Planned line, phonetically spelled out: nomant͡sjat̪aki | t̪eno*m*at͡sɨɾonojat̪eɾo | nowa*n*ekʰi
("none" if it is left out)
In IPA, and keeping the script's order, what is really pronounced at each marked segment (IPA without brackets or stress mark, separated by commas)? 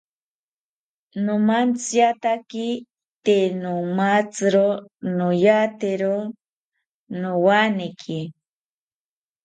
m, n